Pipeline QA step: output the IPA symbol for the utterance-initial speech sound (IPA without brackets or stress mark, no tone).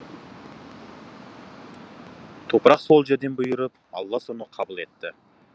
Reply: t̪ʰ